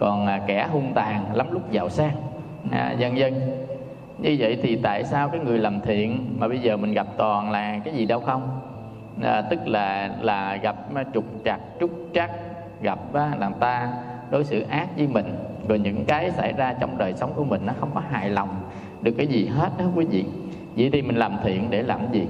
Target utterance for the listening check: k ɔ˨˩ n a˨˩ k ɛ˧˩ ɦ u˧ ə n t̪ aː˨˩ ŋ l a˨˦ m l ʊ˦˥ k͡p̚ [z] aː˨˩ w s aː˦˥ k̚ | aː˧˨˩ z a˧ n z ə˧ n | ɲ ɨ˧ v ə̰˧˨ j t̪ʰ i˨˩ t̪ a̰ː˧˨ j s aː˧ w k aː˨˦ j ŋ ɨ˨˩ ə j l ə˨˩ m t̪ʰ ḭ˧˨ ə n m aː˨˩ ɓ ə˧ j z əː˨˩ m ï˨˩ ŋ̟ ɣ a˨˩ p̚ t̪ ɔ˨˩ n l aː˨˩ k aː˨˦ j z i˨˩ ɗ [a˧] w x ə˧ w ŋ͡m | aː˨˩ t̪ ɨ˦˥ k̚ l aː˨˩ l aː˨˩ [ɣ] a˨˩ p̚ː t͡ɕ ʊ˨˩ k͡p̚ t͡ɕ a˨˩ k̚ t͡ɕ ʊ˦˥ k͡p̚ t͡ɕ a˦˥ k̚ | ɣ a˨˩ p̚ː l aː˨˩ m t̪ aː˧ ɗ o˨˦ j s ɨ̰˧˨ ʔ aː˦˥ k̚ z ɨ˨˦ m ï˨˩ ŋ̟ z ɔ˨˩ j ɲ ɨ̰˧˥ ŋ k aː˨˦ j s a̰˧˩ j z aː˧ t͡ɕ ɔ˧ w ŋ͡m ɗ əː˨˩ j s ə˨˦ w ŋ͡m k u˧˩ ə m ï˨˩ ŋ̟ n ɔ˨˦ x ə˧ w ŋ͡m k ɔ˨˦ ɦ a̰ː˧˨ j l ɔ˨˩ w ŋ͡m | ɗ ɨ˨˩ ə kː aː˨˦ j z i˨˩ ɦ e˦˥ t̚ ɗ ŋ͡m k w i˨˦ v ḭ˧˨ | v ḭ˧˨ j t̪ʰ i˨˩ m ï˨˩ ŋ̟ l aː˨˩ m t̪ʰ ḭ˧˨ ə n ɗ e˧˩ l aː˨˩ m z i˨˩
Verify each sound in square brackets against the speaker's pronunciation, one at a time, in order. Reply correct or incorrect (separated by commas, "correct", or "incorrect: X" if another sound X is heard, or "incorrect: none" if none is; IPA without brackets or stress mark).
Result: correct, incorrect: ə˧, correct